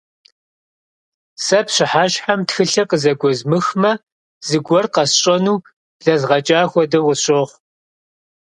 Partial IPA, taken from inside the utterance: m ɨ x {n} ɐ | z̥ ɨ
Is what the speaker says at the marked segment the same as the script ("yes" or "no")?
no